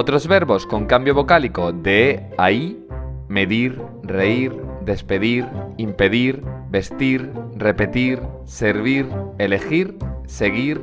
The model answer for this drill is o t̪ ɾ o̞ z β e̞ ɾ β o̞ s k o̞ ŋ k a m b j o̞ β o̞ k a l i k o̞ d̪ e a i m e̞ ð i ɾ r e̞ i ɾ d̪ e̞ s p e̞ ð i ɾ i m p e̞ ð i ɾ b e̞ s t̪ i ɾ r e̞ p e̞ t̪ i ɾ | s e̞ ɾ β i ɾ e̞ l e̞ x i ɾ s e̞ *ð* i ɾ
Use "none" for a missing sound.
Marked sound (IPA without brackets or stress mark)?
ɣ